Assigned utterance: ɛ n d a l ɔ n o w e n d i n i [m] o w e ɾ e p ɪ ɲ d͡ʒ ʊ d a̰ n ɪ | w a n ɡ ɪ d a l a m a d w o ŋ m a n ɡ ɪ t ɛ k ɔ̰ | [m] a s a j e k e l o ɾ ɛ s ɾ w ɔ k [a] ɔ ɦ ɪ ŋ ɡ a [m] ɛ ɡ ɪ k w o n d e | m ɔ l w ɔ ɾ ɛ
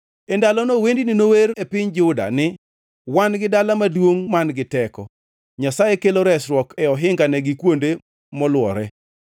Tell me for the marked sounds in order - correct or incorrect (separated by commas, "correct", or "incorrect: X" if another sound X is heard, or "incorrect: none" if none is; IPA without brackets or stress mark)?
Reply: incorrect: n, incorrect: ɲ, incorrect: ɛ, incorrect: n